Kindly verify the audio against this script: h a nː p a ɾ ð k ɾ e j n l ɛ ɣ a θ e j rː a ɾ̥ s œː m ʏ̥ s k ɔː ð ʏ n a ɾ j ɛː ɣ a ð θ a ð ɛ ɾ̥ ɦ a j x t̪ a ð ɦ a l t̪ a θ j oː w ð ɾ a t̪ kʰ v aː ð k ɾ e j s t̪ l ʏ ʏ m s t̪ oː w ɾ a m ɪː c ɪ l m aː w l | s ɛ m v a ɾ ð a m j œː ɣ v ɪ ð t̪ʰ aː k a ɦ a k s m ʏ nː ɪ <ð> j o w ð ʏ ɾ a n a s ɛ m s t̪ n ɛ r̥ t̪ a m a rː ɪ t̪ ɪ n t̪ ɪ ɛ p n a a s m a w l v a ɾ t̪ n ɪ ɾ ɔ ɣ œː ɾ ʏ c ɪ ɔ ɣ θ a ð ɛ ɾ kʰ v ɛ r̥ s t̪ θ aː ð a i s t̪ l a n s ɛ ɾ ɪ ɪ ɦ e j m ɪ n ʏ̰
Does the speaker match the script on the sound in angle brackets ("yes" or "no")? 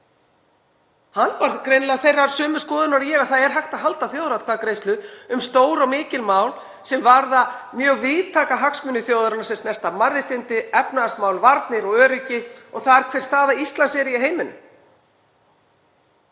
no